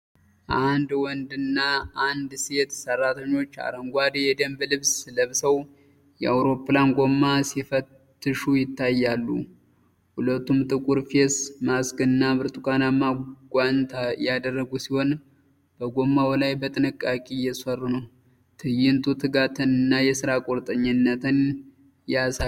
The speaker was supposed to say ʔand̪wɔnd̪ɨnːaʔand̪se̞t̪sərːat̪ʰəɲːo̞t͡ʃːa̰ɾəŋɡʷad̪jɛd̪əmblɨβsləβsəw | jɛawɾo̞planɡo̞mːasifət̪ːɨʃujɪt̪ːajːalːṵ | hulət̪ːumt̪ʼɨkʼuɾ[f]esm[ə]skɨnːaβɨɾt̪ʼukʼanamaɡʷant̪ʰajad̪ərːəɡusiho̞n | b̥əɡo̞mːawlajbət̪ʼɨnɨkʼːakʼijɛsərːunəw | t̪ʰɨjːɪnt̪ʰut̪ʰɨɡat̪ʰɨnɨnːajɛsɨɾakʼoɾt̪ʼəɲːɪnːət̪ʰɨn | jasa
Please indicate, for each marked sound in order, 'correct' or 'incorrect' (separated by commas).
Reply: correct, incorrect